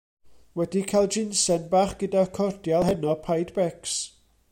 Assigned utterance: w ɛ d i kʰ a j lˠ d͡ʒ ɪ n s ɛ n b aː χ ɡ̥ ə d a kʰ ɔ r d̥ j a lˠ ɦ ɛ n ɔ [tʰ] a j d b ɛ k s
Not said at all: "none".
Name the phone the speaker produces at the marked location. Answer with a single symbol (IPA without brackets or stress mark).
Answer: pʰ